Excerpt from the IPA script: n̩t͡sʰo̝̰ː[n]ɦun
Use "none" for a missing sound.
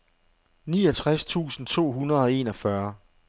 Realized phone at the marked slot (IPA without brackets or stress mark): none